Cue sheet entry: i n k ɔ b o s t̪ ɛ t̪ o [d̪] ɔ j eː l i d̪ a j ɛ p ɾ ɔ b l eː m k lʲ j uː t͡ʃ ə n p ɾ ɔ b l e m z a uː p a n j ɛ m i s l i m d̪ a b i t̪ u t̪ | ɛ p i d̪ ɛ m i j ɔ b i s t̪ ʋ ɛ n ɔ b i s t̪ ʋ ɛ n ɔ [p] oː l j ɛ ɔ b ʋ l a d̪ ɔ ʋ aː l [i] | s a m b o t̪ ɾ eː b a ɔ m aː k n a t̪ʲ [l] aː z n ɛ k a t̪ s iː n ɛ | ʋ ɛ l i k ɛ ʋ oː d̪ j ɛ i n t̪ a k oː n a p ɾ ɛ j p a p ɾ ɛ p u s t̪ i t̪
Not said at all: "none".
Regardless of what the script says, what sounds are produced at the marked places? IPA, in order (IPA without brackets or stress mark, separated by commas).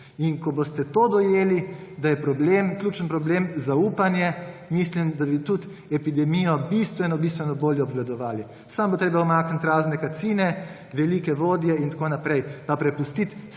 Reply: d̪, b, i, ɾ